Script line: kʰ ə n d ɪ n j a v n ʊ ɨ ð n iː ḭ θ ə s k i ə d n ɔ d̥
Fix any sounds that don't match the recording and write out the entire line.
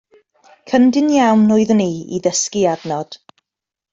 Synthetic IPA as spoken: kʰ ə n d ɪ n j a w n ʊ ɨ ð n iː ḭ ð ə s k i a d n ɔ d̥